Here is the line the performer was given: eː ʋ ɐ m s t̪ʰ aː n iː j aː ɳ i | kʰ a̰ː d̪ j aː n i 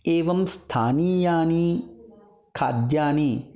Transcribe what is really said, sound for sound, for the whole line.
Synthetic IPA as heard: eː ʋ ɐ m s t̪ʰ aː n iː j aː n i | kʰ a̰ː d̪ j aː n i